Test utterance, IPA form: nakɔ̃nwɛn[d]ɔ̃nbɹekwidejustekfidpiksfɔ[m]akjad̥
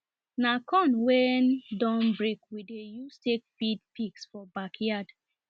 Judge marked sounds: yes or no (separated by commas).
yes, no